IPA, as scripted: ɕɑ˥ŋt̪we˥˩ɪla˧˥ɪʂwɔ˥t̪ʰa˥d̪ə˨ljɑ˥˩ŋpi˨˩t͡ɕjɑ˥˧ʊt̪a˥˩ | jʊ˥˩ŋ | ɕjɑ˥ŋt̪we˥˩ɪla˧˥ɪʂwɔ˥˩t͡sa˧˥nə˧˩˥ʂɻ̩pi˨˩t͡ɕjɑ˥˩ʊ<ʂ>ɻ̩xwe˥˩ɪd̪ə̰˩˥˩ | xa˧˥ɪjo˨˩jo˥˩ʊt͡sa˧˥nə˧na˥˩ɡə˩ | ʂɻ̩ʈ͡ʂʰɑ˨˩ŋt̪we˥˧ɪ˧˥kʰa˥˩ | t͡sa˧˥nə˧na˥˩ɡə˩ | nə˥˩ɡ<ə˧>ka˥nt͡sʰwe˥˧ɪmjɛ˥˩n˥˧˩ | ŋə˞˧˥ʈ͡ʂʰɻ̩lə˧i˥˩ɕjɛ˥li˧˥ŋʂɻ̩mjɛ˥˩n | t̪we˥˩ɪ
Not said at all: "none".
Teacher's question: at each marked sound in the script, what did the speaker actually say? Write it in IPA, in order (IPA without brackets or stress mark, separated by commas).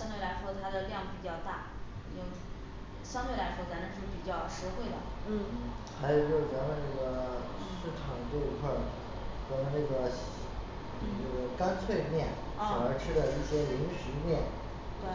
ʂ, ə˩